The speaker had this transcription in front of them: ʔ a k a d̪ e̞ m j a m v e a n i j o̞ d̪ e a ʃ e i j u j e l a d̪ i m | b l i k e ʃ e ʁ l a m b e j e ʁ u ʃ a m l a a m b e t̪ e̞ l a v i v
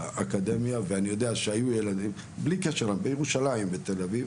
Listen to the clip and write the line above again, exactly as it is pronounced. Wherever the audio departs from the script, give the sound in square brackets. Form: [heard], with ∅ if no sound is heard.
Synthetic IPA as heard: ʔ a k a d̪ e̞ m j a [∅] v e a n i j o̞ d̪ e a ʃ e [a] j u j e l a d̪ i m | b l i k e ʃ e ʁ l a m b e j e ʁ u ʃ a [∅] l a [i] m b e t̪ e̞ l a v i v